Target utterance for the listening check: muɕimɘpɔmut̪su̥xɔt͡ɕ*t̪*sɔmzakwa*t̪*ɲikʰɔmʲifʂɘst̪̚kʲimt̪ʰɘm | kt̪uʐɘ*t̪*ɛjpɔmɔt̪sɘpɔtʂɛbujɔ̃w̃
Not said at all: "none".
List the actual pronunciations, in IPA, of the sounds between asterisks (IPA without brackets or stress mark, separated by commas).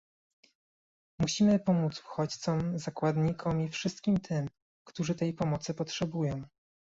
t̪, d̪, t̪